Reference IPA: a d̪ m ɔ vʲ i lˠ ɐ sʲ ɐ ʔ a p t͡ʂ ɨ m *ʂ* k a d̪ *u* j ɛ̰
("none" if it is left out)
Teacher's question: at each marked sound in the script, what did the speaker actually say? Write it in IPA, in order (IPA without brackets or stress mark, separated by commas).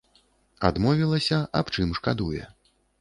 ʂ, u